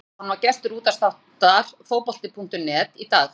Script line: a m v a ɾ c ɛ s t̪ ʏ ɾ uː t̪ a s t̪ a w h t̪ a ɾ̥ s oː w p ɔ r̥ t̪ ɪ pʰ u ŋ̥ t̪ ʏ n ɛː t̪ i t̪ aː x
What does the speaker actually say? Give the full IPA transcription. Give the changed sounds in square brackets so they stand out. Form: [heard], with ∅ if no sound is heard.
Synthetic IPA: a [n] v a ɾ c ɛ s t̪ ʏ ɾ uː t̪ a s t̪ a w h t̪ a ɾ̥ [f] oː w p ɔ [l̥] t̪ ɪ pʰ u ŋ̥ t̪ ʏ n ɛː t̪ i t̪ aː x